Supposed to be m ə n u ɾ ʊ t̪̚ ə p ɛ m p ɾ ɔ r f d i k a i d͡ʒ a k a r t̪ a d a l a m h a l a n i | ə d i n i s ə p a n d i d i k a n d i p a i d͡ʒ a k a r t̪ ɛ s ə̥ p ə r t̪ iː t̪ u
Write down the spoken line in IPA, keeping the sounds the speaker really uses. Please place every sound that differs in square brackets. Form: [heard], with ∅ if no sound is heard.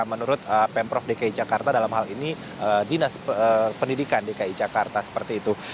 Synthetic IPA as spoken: m ə n u ɾ ʊ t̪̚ ə p ɛ m p ɾ ɔ [∅] f d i k a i d͡ʒ a k a r t̪ a d a l a m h a l [i] n i | ə d i n [a] s ə p [ə] n d i d i k a n d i [k] a i d͡ʒ a k a r t̪ [a] s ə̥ p ə r t̪ iː t̪ u